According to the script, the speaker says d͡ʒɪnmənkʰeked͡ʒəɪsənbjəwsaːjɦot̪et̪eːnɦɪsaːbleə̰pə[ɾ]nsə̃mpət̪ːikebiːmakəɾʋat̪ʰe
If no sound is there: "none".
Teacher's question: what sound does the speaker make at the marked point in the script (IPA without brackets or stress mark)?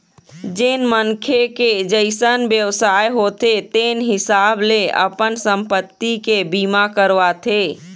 none